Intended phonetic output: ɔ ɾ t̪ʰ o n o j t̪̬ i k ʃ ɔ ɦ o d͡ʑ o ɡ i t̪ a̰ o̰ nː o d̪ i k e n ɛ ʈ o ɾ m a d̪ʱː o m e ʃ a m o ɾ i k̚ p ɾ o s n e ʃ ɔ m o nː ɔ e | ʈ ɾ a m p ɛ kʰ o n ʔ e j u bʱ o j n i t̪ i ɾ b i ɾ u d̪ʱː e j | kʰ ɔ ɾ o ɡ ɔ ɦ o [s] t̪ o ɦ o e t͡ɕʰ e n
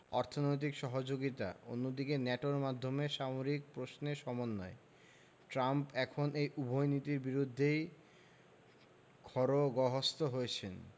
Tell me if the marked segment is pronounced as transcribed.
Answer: yes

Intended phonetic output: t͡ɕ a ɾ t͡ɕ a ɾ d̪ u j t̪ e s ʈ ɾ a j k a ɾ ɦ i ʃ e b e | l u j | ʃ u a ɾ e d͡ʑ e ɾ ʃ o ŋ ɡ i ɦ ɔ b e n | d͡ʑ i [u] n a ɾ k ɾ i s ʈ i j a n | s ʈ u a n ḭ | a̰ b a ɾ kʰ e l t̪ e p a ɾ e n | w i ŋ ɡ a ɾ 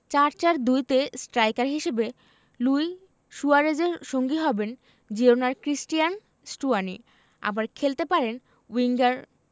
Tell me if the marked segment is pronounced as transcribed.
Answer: no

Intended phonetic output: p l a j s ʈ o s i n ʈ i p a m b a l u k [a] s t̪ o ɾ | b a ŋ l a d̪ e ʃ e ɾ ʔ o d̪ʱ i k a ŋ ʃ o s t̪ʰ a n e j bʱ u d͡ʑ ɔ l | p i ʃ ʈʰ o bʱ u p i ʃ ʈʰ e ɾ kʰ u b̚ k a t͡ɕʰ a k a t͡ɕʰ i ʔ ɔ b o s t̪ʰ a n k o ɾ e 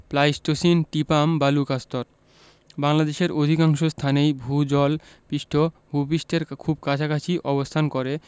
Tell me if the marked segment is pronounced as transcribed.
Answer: yes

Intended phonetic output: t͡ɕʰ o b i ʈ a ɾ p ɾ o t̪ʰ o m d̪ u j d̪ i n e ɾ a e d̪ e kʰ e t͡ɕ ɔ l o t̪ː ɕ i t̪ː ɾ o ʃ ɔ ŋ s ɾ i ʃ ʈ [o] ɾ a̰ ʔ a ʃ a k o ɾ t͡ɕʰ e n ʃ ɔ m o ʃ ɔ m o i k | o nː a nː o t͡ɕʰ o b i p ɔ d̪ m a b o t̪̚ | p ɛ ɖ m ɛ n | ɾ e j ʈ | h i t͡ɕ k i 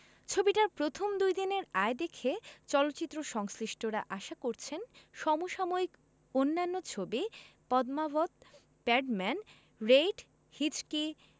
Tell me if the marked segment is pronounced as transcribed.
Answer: yes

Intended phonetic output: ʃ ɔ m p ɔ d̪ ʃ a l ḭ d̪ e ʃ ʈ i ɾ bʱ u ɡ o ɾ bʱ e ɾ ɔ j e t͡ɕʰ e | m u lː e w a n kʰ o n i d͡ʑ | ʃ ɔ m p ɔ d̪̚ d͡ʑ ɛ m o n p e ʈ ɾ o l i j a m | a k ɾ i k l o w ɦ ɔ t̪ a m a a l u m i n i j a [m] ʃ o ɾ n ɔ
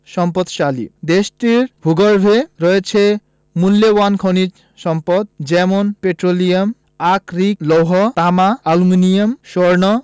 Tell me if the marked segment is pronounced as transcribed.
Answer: yes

